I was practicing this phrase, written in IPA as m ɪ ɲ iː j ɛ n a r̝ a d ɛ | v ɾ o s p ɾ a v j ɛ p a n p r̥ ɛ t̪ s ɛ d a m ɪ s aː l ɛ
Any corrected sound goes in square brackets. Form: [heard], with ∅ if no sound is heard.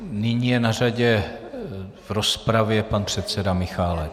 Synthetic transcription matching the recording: [n] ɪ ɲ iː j ɛ n a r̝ a [ɟ] ɛ | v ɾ o s p ɾ a v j ɛ p a n p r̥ ɛ t̪ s ɛ d a m ɪ [x] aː l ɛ